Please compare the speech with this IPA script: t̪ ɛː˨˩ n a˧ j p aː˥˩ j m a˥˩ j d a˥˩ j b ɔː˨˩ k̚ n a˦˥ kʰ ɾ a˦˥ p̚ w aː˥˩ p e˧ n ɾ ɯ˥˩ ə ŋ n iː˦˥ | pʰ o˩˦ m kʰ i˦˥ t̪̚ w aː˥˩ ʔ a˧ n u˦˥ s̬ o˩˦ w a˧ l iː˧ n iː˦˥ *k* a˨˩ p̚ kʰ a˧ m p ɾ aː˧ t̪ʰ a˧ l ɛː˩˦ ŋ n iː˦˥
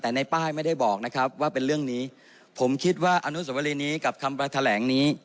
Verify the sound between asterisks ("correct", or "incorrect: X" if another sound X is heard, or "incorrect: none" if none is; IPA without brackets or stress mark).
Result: correct